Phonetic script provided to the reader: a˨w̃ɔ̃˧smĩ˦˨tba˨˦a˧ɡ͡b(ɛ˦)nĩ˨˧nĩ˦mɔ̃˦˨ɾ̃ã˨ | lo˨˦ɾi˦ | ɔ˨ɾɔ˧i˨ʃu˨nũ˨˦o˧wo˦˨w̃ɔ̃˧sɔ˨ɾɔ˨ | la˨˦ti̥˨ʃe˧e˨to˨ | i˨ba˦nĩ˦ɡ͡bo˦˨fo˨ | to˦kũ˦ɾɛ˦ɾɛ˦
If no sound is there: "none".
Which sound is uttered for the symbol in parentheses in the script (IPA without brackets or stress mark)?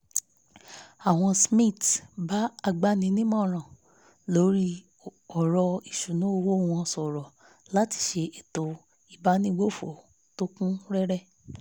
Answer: a˦